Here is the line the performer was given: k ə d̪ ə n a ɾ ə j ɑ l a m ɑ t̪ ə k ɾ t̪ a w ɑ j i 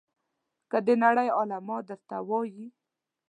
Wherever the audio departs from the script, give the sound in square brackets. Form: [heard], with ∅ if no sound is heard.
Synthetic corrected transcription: k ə d̪ ə n a [ɽ] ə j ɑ l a m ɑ [d̪] ə [∅] ɾ t̪ a w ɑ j i